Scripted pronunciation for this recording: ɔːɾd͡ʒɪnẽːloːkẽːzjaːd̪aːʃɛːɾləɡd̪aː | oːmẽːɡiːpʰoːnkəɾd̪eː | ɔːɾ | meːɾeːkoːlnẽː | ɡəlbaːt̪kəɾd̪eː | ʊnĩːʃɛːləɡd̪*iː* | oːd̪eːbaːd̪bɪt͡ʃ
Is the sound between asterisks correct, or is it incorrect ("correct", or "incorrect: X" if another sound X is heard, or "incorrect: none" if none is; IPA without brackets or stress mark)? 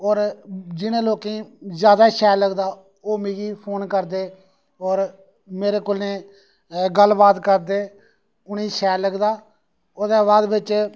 incorrect: aː